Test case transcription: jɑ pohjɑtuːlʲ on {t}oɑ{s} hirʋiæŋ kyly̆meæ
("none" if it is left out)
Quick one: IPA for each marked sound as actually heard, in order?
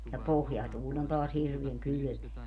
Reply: t, s

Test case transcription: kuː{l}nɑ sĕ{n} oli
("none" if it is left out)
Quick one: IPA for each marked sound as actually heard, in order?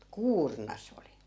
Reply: r, none

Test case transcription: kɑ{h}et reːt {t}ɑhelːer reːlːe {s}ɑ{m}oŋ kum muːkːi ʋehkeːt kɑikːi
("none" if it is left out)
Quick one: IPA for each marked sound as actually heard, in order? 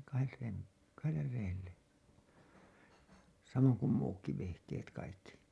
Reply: h, k, s, m

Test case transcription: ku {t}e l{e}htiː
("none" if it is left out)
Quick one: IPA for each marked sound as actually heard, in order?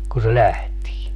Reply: s, æ

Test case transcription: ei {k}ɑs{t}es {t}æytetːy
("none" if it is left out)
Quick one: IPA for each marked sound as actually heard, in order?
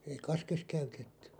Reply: k, k, k

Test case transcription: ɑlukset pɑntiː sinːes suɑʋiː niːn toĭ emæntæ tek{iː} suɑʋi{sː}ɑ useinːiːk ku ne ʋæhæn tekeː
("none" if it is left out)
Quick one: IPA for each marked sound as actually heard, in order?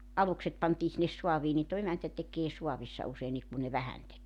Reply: eː, sː

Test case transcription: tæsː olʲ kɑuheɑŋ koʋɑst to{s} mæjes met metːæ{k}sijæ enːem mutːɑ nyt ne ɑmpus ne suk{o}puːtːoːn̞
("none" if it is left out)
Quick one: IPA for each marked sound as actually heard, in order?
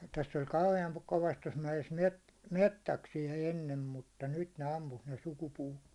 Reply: s, k, u

